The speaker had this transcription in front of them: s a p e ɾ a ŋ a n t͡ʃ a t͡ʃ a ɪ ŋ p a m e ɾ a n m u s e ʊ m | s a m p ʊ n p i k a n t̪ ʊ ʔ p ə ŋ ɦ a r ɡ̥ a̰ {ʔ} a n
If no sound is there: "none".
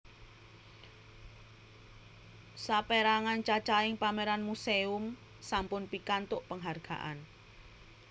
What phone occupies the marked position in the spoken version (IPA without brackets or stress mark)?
ʔ